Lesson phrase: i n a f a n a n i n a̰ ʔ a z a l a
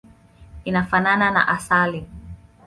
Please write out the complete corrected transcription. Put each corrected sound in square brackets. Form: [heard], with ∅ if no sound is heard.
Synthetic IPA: i n a f a n a n [a] n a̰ ʔ a [s] a l [i]